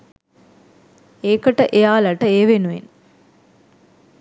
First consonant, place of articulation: velar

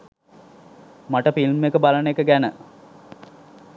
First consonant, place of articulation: labial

